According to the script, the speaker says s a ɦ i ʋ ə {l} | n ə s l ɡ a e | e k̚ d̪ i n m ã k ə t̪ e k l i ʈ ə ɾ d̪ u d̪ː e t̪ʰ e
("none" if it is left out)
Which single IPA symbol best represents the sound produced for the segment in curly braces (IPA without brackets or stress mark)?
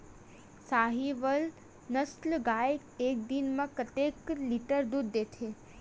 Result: l